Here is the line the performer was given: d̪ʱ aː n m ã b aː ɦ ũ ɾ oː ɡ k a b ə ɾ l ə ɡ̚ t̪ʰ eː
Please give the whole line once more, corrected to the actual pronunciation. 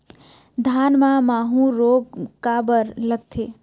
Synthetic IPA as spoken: d̪ʱ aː n m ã m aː ɦ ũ ɾ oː ɡ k a b ə ɾ l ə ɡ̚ t̪ʰ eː